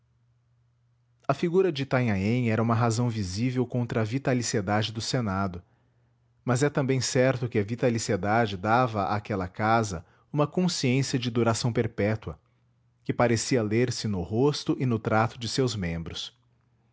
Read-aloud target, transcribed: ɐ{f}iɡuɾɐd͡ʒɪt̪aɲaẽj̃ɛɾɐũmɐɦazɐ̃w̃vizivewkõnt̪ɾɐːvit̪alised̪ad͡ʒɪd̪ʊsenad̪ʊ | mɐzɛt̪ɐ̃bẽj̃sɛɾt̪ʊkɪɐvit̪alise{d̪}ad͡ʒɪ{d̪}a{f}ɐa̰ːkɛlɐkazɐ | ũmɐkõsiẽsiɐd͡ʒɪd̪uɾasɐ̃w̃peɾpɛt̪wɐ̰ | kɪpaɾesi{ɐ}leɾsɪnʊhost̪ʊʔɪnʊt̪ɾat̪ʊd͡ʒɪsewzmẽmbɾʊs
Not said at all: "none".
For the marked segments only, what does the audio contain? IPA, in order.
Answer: f, d̪, d̪, v, ɐ

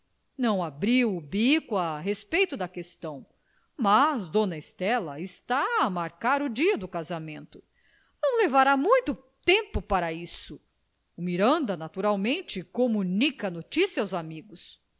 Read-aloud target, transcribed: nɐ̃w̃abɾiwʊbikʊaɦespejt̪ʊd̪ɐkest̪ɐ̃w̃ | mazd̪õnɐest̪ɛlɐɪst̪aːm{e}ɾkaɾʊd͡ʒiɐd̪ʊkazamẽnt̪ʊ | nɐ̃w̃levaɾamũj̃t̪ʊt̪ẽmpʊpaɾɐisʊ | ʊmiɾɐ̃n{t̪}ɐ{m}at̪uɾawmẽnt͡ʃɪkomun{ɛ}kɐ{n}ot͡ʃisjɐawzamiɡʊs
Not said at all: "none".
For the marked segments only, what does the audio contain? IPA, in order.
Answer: a, d̪, n, i, n

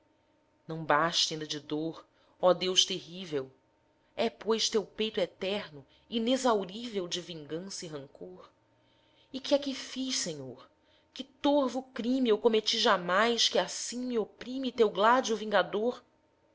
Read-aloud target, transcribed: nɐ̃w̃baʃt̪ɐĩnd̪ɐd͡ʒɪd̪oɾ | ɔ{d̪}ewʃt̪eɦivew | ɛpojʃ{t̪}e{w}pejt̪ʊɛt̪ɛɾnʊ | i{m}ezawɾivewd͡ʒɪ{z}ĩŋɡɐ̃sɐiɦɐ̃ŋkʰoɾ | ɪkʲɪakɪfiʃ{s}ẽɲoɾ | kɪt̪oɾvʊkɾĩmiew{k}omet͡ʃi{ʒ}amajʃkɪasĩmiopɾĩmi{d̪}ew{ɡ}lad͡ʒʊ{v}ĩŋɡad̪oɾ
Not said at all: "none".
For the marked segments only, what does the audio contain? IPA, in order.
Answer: d̪, t̪, w, n, v, s, k, ʒ, t̪, ɡ, v

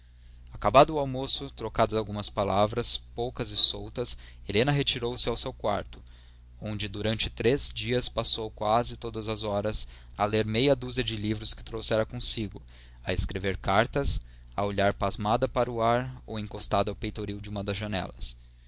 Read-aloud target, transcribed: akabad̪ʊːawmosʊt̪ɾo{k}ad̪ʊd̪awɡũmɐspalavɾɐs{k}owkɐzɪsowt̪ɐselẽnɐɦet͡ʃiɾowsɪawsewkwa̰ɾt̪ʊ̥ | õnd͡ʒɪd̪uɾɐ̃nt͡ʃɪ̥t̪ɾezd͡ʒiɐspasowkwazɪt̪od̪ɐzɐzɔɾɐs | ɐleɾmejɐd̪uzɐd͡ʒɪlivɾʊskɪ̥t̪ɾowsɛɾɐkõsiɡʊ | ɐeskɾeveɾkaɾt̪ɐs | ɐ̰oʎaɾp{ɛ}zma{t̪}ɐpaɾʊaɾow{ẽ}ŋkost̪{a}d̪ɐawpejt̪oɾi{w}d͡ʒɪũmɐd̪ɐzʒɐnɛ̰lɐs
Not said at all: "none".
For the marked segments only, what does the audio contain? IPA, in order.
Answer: k, p, a, d̪, ẽ, a, w

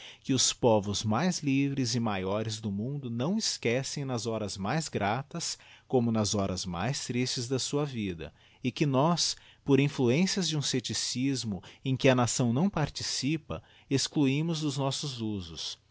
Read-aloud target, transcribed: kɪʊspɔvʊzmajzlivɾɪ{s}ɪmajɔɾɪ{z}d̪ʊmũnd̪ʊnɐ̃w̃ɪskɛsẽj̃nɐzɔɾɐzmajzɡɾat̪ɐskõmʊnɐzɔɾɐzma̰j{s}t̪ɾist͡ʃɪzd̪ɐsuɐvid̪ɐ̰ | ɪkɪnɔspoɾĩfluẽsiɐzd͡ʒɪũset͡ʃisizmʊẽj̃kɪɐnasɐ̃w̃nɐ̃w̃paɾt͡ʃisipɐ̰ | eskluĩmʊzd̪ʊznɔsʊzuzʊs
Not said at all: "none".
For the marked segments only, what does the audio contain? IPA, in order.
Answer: z, z, s

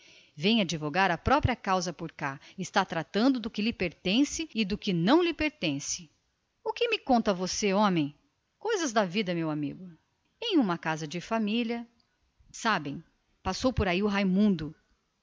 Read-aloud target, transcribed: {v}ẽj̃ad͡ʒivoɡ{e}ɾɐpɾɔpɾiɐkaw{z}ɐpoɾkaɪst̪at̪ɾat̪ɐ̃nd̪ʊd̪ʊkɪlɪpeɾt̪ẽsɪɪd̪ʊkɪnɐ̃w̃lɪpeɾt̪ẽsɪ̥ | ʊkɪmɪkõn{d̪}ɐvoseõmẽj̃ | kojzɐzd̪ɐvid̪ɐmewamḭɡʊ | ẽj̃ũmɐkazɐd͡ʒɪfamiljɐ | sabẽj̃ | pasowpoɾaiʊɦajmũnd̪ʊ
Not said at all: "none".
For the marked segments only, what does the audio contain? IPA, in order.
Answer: v, a, z, t̪

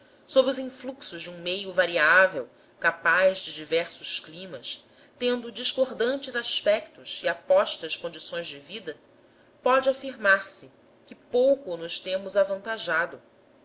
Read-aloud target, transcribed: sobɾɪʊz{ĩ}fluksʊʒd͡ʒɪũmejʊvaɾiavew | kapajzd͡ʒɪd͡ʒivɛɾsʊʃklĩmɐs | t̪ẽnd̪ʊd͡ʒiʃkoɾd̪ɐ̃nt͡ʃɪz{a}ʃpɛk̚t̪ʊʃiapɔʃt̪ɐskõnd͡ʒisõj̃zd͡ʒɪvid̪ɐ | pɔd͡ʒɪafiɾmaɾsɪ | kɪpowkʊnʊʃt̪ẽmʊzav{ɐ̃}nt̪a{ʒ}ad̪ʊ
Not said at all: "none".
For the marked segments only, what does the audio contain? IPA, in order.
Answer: ĩ, a, ɐ̃, ʒ

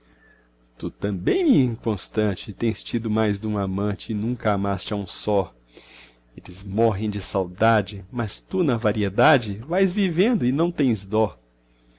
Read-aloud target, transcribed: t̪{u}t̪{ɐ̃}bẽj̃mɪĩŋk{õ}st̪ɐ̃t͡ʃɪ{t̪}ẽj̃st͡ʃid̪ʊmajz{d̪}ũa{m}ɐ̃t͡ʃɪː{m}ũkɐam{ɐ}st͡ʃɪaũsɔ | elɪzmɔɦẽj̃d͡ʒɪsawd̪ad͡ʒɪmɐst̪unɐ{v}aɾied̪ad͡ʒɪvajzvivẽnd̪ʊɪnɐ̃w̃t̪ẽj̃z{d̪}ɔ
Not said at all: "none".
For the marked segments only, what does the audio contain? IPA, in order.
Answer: u, ɐ̃, õ, t̪, d̪, m, n, a, v, d̪

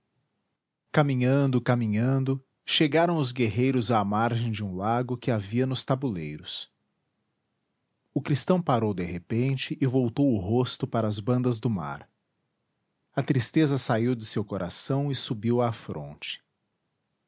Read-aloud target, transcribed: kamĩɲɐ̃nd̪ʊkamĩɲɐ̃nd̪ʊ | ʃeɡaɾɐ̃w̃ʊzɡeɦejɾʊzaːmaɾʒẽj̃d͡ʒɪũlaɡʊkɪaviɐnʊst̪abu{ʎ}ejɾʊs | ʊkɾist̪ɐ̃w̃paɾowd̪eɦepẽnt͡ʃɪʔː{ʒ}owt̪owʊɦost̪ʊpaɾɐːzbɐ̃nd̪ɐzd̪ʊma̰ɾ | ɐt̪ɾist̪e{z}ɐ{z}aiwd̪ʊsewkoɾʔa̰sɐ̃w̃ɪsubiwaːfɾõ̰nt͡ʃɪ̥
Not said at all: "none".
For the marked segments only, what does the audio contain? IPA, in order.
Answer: l, v, z, s

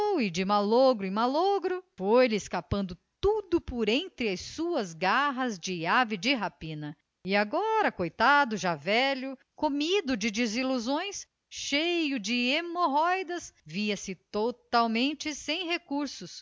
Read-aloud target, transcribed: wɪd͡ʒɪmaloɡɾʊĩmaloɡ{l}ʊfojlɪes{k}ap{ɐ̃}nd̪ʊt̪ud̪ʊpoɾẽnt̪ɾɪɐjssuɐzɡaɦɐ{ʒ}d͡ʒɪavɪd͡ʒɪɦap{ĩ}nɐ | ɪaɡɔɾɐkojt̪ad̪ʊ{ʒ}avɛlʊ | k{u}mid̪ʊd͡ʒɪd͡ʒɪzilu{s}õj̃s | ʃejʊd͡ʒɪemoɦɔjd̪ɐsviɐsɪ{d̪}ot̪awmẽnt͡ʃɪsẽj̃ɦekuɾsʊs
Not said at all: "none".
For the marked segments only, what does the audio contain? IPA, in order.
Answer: ɾ, k, ɐ̃, z, ĩ, ʒ, o, z, t̪

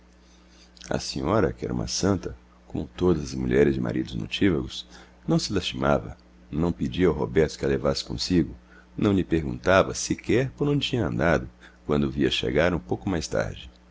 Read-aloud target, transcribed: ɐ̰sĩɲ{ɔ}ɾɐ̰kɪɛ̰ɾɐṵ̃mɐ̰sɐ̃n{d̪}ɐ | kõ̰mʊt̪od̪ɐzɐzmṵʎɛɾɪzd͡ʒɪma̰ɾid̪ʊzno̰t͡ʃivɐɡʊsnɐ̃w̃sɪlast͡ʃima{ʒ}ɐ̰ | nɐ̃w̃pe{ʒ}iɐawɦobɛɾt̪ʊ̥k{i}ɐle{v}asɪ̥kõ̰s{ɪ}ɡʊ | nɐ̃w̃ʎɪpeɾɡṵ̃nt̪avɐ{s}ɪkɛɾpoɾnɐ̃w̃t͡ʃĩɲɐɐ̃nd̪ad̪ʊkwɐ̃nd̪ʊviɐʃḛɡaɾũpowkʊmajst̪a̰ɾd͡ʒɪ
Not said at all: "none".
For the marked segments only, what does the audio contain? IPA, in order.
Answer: ɔ, t̪, v, d͡ʒ, ɪ, v, i, s

